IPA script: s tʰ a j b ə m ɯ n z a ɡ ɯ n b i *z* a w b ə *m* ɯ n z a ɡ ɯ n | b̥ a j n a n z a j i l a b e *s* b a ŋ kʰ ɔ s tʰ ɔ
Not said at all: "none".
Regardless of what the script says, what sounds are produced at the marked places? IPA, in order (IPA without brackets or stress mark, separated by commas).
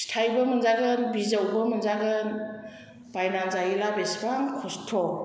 z, m, s